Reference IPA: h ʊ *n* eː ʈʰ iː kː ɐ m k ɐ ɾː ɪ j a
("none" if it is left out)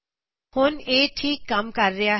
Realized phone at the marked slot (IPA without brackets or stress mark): n